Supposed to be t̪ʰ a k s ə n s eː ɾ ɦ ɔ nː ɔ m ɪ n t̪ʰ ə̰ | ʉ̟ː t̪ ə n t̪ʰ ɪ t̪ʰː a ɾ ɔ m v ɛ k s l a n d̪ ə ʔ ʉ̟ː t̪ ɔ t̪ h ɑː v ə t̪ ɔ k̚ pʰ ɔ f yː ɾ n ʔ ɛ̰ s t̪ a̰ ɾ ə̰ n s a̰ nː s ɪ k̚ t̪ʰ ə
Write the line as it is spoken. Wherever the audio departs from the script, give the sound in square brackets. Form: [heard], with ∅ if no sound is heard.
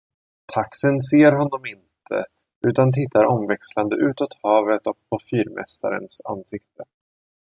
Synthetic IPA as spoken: t̪ʰ a k s ə n s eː ɾ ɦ ɔ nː ɔ m ɪ n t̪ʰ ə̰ | ʉ̟ː t̪ [a] n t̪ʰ ɪ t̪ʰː a ɾ ɔ m v ɛ k s l a n d̪ ə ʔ ʉ̟ː t̪ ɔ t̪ h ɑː v ə t̪ ɔ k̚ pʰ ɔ f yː ɾ [m] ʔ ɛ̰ s t̪ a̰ ɾ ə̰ n s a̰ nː s ɪ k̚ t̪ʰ ə